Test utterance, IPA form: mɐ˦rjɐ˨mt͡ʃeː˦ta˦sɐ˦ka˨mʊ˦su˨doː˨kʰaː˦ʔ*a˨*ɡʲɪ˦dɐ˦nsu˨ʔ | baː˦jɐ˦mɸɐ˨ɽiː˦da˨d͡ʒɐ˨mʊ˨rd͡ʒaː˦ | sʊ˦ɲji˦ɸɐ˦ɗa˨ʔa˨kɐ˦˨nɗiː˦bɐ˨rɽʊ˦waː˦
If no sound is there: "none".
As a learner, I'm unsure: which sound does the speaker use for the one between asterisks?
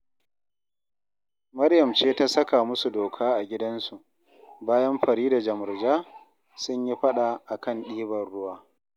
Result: a˨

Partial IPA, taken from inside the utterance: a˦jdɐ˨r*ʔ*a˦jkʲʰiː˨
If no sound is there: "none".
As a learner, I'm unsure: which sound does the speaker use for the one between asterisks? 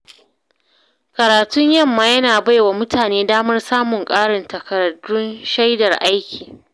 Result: ʔ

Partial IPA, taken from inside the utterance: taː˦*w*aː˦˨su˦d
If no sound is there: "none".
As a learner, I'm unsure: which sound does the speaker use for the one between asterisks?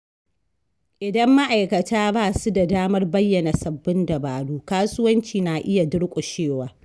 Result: b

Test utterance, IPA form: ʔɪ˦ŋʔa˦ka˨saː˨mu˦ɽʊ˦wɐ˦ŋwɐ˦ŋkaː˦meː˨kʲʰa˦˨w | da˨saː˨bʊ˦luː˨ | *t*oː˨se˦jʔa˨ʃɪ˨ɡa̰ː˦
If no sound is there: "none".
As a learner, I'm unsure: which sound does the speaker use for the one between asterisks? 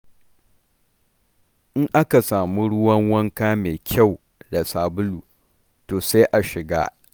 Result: t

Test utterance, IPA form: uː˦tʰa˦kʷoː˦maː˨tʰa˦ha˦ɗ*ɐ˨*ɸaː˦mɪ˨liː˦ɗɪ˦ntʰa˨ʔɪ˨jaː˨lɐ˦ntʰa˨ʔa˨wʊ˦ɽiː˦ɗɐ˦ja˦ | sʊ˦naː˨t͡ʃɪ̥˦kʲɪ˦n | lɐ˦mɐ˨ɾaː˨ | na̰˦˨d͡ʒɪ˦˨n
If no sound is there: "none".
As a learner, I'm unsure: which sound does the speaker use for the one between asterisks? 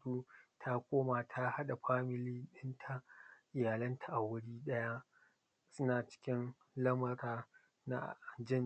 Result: a˨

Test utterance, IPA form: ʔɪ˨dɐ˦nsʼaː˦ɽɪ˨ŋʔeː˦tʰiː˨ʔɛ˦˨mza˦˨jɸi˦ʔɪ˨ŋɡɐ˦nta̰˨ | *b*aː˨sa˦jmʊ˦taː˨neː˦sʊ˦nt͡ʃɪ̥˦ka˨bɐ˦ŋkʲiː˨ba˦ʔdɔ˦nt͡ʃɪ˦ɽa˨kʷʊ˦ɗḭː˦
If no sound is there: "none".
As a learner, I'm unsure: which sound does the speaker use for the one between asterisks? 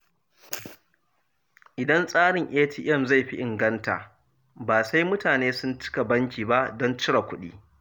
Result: b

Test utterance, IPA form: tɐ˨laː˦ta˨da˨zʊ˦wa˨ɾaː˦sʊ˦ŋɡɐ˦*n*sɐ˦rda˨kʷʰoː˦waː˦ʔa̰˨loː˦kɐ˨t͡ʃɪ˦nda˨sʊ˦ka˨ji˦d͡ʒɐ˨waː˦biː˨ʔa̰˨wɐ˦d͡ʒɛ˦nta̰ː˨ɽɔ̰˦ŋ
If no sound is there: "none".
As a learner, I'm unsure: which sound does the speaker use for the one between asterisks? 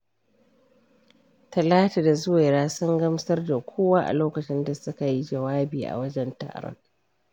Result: m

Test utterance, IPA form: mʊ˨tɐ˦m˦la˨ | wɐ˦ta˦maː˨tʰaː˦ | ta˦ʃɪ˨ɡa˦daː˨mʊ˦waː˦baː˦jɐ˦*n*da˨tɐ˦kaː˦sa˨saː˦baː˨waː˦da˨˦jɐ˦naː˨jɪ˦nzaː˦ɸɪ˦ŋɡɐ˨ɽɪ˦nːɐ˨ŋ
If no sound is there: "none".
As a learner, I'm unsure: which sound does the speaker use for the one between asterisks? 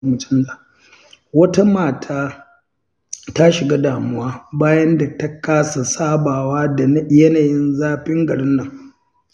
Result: n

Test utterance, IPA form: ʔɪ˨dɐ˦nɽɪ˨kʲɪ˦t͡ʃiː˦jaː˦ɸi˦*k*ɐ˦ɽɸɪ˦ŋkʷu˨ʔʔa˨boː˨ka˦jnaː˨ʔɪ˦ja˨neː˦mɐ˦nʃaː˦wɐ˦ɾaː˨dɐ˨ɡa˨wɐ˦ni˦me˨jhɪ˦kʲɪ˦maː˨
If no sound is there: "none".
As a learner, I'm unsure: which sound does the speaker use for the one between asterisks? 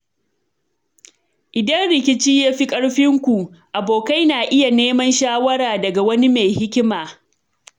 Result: kʼ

